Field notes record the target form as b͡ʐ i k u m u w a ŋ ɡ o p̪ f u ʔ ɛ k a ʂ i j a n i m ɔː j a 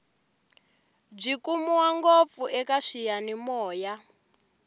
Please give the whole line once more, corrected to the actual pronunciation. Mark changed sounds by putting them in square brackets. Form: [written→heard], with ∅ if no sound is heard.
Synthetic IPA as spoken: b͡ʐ i k u m u w a ŋ ɡ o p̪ f u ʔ ɛ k a ʂ i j a n i m ɔː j a